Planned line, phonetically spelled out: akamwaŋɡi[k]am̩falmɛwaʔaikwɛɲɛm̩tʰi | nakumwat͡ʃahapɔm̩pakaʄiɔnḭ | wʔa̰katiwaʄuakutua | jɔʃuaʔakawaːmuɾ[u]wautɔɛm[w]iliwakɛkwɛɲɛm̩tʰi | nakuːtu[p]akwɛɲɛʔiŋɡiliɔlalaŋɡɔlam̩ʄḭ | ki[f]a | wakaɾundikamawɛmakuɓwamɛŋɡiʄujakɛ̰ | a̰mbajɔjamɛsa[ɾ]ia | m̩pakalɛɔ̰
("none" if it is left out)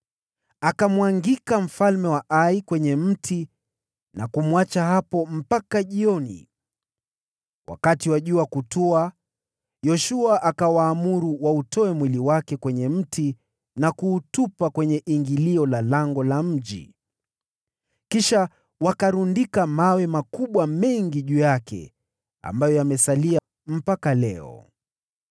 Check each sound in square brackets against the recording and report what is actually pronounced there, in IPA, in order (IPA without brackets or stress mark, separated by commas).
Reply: k, u, w, p, ʃ, l